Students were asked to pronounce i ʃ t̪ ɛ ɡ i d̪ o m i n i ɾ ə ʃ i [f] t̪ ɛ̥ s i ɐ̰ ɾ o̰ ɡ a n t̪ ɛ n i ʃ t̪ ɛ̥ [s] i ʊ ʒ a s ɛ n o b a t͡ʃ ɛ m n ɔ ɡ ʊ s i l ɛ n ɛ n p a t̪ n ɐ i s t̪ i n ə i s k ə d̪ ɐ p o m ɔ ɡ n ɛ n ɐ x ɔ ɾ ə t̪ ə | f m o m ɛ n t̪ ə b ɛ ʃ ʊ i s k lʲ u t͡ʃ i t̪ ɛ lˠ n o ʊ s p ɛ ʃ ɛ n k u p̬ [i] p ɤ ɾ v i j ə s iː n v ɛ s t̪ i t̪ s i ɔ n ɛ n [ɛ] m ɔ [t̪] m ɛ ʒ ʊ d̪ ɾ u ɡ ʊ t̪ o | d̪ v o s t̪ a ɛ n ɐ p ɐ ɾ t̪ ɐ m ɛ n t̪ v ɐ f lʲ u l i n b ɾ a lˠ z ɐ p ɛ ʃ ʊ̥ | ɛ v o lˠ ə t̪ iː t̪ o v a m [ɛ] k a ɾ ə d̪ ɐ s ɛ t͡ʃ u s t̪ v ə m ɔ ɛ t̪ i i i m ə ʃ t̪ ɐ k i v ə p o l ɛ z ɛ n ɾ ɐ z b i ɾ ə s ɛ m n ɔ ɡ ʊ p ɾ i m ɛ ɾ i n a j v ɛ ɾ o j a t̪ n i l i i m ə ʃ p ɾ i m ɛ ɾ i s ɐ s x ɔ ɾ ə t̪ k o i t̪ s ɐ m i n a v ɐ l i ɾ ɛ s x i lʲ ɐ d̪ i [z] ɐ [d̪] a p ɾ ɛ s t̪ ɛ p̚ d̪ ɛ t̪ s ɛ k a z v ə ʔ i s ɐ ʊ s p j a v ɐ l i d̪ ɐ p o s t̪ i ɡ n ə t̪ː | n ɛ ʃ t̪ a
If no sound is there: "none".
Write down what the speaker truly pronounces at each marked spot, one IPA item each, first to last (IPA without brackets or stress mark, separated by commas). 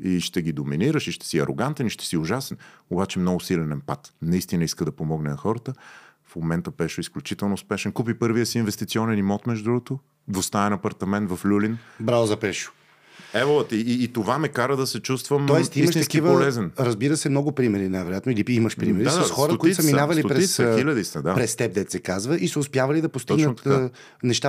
ʃ, s, i, i, t̪, ɛ, s, d̪